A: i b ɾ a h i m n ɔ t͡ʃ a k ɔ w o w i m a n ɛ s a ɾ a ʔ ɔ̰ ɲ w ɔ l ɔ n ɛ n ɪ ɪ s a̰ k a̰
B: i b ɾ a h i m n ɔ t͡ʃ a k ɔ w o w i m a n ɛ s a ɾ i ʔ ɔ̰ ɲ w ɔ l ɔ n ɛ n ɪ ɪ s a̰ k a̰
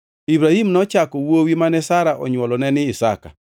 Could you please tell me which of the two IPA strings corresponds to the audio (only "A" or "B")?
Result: A